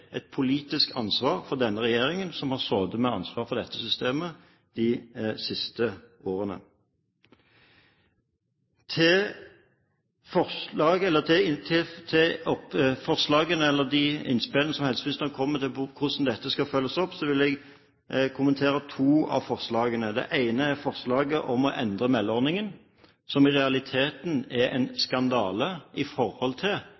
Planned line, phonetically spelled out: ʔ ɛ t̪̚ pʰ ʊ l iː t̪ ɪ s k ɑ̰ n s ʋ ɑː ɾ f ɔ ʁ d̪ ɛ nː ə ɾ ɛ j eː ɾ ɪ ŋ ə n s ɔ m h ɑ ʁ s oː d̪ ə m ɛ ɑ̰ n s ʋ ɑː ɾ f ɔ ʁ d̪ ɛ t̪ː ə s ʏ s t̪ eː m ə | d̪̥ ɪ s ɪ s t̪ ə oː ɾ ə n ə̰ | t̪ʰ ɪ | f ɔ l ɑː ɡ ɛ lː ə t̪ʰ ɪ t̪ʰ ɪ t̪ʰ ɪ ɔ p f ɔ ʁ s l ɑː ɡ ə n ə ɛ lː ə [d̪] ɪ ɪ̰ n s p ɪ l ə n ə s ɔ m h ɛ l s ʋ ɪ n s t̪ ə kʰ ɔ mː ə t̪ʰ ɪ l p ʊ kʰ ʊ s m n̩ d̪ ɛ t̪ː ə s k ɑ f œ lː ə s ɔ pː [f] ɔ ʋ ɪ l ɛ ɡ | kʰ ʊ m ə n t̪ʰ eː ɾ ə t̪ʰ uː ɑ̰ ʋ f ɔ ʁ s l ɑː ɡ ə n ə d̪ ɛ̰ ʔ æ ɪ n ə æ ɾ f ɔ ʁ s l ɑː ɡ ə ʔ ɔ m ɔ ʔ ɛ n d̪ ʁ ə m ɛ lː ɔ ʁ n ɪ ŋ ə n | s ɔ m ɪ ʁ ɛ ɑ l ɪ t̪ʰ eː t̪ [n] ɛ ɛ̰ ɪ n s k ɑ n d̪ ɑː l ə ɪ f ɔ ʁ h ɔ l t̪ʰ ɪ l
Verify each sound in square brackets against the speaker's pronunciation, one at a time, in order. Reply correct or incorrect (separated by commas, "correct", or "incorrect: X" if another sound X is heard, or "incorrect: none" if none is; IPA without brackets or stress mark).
correct, incorrect: s, correct